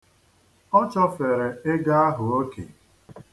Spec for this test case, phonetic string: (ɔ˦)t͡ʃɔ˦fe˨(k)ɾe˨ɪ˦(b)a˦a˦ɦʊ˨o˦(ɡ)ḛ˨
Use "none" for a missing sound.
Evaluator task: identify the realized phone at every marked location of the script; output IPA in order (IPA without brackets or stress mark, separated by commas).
ɔ˦, none, ɡ, k